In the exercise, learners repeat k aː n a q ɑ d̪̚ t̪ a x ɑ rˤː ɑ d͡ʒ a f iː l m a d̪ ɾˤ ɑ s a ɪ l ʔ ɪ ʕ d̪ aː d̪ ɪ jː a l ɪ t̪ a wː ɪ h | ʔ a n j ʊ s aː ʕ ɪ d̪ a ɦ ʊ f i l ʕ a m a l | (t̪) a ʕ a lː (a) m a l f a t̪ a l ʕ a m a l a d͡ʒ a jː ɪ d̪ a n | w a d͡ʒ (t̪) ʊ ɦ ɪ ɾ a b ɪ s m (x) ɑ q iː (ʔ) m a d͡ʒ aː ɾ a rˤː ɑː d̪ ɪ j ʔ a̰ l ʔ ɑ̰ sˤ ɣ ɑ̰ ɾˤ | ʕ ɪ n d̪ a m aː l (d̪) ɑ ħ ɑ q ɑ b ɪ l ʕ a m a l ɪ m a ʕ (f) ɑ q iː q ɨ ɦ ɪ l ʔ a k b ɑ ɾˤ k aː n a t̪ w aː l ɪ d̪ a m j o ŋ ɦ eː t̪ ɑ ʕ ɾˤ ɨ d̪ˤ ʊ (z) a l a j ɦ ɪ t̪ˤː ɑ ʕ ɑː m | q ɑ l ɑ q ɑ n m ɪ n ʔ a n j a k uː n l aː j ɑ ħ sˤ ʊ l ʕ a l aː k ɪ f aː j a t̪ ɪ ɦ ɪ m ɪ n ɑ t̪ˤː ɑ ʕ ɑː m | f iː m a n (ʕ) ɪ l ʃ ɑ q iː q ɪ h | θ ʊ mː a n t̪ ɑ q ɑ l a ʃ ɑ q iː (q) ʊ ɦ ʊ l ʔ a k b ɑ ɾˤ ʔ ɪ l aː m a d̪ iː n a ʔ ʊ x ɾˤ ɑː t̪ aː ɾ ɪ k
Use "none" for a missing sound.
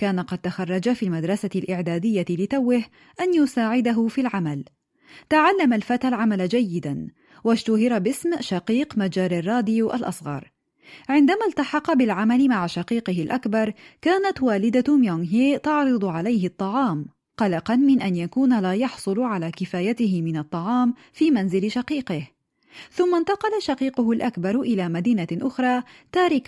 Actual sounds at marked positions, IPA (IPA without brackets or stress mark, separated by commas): t̪, a, t̪, ʃ, q, t̪, ʃ, ʕ, z, q